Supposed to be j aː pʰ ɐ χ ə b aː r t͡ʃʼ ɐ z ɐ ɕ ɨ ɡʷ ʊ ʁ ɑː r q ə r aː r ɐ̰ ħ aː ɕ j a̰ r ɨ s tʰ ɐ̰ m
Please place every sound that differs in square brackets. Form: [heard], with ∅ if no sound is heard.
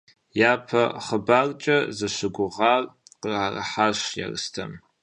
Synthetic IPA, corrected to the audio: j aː pʰ ɐ χ ə b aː r t͡ʃʼ ɐ z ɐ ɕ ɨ ɡʷ ʊ ʁ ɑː r q ə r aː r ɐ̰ ħ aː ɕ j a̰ r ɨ s tʰ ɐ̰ m